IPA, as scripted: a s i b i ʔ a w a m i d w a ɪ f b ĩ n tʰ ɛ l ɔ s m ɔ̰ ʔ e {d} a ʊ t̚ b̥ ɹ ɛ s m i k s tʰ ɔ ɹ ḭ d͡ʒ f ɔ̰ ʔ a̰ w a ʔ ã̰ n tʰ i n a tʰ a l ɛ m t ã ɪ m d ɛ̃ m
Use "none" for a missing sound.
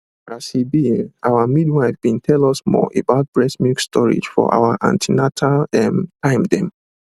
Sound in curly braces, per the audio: b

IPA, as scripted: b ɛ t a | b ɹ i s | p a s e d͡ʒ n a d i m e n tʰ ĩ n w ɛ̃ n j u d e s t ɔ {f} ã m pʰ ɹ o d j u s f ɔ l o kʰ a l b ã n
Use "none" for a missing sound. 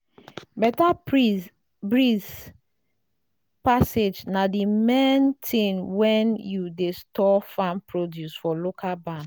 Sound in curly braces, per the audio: f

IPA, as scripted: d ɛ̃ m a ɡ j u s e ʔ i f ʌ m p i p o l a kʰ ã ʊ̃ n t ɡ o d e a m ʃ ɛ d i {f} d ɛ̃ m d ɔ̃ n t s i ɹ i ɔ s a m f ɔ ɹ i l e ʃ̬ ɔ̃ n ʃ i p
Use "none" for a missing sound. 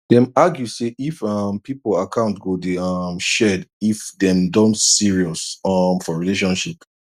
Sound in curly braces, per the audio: f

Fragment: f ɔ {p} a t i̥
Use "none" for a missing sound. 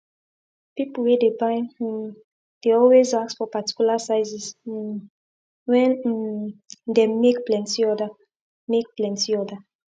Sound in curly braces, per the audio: p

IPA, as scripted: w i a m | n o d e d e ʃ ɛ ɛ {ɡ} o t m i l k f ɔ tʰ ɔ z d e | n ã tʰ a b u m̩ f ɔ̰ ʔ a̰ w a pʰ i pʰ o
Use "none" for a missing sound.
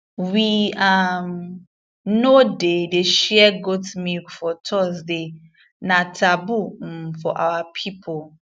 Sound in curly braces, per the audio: ɡ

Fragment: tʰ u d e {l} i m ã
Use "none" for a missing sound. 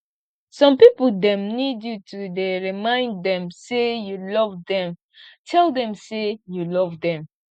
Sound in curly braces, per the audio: ɹ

